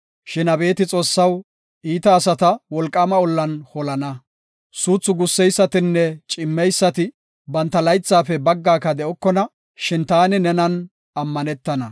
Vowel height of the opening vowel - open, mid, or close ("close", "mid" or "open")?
close